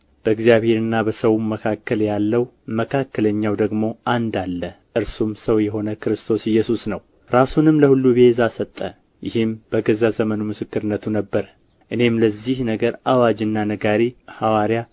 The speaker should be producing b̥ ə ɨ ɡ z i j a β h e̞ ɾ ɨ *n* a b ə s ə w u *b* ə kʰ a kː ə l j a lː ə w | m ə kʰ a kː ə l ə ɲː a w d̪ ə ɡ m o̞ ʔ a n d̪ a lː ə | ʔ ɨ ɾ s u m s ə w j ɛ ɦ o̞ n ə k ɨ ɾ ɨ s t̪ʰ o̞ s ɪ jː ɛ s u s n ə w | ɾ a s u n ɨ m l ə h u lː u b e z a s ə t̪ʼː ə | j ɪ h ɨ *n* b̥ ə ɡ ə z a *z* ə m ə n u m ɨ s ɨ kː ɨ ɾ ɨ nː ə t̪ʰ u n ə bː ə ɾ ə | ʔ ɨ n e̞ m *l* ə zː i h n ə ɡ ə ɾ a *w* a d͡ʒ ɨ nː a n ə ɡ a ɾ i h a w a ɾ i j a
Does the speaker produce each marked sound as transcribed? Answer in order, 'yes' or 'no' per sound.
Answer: no, no, no, yes, yes, yes

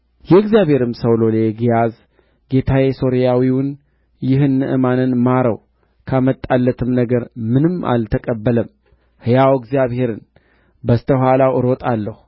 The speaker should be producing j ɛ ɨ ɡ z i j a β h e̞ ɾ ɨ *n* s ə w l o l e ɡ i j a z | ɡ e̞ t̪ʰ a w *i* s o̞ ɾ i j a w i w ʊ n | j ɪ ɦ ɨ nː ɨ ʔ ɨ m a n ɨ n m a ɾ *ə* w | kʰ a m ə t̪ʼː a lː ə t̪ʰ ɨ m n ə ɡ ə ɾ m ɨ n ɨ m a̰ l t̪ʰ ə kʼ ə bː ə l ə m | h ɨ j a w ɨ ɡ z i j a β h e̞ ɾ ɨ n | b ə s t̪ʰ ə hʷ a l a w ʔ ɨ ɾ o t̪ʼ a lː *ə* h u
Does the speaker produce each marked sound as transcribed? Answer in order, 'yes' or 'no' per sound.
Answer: no, no, yes, yes

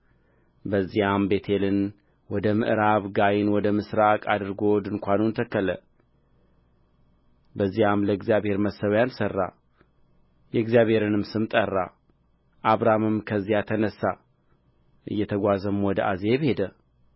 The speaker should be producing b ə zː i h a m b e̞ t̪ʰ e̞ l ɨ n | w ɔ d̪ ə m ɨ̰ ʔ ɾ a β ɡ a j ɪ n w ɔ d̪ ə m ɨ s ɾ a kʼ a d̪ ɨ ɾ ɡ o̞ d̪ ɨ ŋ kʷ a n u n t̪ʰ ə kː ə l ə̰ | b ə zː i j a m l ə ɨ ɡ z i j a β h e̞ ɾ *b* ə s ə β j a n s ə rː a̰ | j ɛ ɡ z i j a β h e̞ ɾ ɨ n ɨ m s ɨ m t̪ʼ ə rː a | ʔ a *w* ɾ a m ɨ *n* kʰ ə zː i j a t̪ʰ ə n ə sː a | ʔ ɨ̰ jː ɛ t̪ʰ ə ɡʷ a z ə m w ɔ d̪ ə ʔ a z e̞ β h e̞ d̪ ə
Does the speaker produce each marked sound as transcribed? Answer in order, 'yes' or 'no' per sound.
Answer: no, no, no

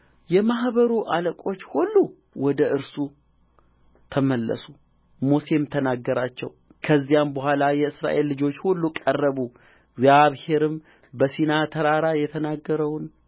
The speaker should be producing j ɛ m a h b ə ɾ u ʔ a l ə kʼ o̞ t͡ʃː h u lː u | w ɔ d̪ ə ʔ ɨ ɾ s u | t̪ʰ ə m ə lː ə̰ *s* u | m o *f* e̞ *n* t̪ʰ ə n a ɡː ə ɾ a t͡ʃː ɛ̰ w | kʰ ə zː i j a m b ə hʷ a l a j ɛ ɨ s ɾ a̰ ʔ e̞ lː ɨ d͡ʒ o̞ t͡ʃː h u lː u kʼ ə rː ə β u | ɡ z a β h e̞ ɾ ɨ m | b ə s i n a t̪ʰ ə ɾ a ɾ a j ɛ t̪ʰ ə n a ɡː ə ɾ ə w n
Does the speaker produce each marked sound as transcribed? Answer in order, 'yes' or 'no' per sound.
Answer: yes, no, no

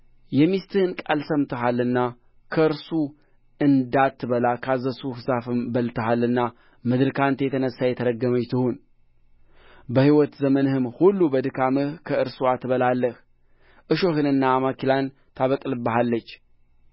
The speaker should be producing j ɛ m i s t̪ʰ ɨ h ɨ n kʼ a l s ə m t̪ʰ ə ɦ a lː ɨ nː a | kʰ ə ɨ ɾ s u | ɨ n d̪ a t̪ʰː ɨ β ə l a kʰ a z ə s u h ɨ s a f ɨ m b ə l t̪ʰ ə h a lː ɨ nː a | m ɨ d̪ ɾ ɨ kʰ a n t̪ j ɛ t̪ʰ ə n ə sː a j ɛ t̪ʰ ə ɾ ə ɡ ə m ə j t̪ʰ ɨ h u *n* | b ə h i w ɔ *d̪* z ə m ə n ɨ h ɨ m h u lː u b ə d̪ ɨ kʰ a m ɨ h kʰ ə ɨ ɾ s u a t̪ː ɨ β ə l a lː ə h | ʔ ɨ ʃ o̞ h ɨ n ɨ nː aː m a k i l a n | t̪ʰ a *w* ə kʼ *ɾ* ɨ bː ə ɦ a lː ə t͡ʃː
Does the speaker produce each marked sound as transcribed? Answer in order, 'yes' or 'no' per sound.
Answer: yes, no, no, no

